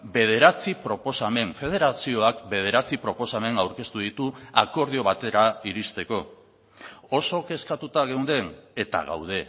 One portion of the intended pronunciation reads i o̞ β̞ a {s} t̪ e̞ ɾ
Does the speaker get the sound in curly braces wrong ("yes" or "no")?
yes